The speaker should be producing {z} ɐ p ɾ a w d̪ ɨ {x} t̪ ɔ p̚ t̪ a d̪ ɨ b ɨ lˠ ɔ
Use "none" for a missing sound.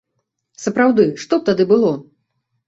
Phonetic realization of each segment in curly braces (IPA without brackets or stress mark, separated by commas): s, ʂ